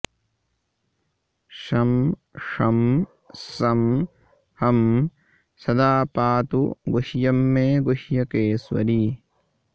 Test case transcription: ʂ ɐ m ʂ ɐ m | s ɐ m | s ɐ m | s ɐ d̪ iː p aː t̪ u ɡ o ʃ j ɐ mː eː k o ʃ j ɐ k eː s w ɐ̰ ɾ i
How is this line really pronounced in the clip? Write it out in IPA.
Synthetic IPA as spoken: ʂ ɐ m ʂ ɐ m | s ɐ m | h ɐ m | s ɐ d̪ aː p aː t̪ u ɡ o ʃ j ɐ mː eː ɡ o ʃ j ɐ k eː s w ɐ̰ ɾ i

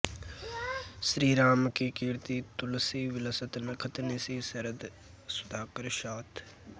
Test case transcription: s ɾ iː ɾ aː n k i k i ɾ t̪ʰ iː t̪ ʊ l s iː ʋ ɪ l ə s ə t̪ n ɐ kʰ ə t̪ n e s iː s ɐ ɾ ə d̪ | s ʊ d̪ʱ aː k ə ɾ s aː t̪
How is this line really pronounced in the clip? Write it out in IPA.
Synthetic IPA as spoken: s ɾ iː ɾ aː m k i k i ɾ t̪ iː t̪ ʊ l s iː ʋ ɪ l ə s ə t̪ n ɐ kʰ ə t̪ n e s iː s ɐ ɾ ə d̪ | s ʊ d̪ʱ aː k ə ɾ ʃ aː t̪

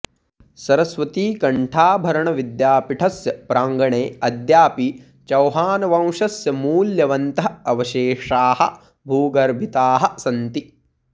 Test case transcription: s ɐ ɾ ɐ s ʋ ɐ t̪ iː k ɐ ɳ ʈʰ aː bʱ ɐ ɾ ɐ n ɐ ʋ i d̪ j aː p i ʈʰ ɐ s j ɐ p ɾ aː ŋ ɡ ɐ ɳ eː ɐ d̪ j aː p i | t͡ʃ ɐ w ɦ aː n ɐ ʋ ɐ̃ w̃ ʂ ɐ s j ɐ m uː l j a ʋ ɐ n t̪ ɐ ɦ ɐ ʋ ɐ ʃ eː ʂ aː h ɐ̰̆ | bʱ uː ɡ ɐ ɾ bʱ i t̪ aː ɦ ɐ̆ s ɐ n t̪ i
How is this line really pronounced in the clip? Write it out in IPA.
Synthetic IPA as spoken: s ɐ ɾ ɐ s ʋ ɐ t̪ iː k ɐ ɳ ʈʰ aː bʱ ɐ ɾ ɐ ɳ ɐ ʋ i d̪ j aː p i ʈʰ ɐ s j ɐ p ɾ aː ŋ ɡ ɐ ɳ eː ɐ d̪ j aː p i | t͡ʃ ɐ w ɦ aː n ɐ ʋ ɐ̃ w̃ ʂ ɐ s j ɐ m uː l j ɐ ʋ ɐ n t̪ ɐ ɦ ɐ ʋ ɐ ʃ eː ʂ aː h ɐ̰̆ | bʱ uː ɡ ɐ ɾ bʱ i t̪ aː ɦ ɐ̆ s ɐ n t̪ i

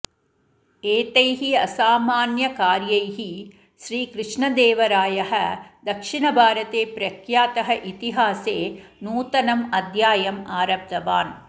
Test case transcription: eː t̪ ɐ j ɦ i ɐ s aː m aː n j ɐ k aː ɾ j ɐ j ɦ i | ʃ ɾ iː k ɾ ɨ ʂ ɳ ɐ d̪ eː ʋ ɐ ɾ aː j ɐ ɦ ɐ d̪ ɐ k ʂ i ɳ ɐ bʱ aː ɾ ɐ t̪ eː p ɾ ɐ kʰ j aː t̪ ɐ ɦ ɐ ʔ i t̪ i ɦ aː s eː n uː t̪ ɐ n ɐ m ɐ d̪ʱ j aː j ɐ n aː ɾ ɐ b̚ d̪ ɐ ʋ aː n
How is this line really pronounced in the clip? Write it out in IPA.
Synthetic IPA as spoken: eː t̪ ɐ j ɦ i ɐ s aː m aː n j ɐ k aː ɾ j ɐ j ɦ i | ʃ ɾ iː k ɾ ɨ ʂ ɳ ɐ d̪ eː ʋ ɐ ɾ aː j ɐ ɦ ɐ d̪ ɐ k ʂ i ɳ ɐ bʱ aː ɾ ɐ t̪ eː p ɾ ɐ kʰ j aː t̪ ɐ ɦ ɐ ʔ i t̪ i ɦ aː s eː n uː t̪ ɐ n ɐ m ɐ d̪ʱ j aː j ɐ m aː ɾ ɐ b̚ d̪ ɐ ʋ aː n

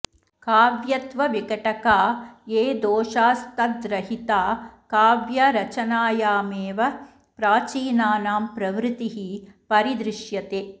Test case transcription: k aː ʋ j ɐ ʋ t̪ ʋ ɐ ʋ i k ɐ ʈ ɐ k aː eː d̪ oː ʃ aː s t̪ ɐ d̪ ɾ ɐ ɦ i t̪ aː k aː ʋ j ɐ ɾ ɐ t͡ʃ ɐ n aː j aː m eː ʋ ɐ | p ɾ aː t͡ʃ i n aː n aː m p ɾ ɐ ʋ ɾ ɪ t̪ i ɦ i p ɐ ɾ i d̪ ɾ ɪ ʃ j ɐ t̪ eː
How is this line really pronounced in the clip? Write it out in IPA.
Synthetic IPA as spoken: k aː ʋ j ɐ t̪ ʋ ɐ ʋ i k ɐ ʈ ɐ k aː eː d̪ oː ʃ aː s t̪ ɐ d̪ ɾ ɐ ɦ i t̪ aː k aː ʋ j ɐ ɾ ɐ t͡ʃ ɐ n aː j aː m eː ʋ ɐ | p ɾ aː t͡ʃ iː n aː n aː m p ɾ ɐ ʋ ɾ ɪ t̪ i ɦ i p ɐ ɾ i d̪ ɾ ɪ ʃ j ɐ t̪ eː

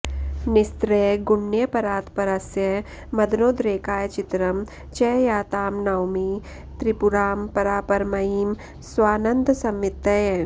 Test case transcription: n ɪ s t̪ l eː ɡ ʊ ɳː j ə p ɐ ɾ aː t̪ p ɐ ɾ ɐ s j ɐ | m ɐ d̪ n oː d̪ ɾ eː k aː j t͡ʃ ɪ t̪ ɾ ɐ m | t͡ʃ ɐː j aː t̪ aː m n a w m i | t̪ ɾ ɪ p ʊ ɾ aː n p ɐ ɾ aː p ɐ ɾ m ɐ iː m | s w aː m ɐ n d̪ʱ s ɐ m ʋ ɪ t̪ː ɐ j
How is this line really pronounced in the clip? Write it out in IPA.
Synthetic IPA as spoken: n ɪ s t̪ ɾ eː ɡ ʊ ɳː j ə p ɐ ɾ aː t̪ p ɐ ɾ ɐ s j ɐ | m ɐ d̪ n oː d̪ ɾ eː k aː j t͡ʃ ɪ t̪ ɾ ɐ m | t͡ʃ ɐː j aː t̪ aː m n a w m i | t̪ ɾ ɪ p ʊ ɾ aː m p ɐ ɾ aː p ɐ ɾ m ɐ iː m | s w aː n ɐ n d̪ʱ s ɐ m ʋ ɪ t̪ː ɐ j

